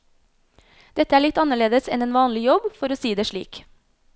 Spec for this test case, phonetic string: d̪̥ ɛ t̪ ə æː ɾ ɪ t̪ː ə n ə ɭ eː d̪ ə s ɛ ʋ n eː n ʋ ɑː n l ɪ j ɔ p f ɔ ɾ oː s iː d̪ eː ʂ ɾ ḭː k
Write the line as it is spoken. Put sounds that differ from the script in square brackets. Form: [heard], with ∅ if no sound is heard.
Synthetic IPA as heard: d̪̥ ɛ t̪ ə æː [ɭ] ɪ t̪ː [ɑ] n ə ɭ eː d̪ ə s ɛ [∅] n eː n ʋ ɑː n l ɪ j ɔ [b] f ɔ ɾ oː s iː d̪ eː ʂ [ɭ] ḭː k